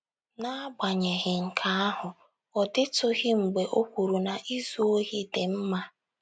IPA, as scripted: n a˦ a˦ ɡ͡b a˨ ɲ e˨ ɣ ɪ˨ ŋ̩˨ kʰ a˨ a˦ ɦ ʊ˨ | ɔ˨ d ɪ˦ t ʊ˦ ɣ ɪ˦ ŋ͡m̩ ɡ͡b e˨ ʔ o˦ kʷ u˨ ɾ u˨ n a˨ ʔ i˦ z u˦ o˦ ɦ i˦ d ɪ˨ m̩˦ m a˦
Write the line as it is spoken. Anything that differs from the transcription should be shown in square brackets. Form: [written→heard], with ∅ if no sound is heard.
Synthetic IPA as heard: n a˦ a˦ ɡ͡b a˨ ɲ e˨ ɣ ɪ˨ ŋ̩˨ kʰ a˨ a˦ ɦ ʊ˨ | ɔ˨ d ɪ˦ t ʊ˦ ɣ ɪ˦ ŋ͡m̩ ɡ͡b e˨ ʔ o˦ kʷ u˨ ɾ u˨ n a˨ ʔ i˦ z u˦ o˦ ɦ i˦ d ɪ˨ m̩˦ m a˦